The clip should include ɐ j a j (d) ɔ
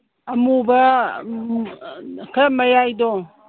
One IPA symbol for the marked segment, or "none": d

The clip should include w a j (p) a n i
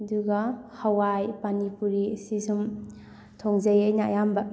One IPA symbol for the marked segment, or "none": p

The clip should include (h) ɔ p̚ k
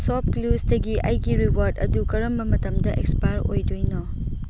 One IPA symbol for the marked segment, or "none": s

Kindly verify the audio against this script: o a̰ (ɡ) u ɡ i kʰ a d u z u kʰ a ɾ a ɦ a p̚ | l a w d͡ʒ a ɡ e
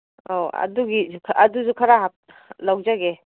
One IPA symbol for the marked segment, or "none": d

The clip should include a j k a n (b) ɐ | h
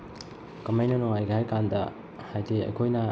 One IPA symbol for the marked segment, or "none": d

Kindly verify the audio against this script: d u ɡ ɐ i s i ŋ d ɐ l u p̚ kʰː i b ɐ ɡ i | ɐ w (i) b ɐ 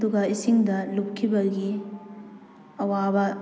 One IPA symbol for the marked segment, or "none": a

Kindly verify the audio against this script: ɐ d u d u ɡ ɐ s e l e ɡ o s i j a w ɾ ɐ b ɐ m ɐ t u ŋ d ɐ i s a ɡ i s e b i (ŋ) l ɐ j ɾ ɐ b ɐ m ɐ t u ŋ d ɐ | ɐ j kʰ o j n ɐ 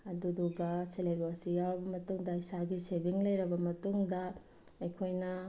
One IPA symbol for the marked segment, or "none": ŋ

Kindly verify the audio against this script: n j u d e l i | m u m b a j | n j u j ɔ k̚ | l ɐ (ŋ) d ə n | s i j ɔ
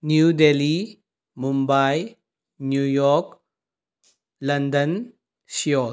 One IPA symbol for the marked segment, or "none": n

